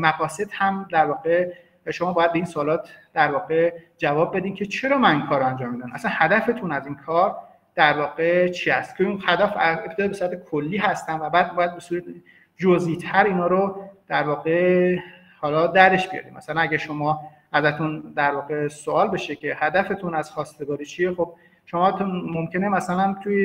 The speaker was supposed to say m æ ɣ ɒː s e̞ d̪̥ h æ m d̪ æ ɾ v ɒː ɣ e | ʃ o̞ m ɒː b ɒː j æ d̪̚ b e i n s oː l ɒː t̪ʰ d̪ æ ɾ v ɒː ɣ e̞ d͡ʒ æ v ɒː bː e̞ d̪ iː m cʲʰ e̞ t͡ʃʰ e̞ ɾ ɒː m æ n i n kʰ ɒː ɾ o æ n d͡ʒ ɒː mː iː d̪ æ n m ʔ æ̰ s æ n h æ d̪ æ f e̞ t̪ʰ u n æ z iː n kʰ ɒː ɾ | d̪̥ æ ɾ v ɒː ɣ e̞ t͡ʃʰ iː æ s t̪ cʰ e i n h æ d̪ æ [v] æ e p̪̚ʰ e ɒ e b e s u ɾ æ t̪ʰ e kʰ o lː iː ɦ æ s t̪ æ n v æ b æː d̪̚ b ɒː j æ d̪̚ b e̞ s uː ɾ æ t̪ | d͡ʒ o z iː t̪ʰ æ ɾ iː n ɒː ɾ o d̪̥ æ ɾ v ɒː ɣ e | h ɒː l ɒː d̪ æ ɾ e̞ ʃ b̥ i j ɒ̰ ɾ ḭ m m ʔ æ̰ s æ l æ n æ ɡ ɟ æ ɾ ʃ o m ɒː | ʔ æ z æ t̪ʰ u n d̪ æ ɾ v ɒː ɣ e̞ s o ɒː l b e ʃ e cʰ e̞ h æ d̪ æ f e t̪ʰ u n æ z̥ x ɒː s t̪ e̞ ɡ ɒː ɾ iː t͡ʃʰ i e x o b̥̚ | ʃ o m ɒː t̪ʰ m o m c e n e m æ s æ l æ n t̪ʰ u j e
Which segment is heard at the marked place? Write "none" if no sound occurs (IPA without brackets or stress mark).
f